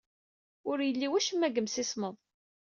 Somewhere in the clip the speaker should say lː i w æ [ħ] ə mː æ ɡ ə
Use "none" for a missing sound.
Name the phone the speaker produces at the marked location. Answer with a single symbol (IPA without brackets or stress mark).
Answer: ʃ